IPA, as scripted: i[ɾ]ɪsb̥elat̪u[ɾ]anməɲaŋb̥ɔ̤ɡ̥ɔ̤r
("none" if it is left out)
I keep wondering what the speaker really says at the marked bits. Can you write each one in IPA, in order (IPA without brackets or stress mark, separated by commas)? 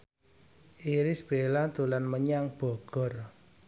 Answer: ɾ, l